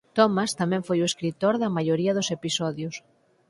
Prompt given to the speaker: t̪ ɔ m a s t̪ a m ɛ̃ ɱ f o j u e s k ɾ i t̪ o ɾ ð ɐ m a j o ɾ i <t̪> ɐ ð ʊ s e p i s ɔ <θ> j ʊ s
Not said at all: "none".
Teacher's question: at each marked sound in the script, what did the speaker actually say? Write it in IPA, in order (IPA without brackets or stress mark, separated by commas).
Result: none, ð